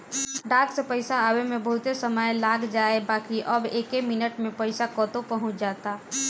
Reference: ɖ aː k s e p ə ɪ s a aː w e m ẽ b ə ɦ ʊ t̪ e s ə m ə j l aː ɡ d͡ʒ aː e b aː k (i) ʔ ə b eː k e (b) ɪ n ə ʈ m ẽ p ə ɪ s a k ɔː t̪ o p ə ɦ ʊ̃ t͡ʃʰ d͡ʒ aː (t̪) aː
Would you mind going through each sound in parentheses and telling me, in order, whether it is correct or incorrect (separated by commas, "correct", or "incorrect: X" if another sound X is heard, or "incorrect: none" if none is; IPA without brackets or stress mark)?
correct, incorrect: m, correct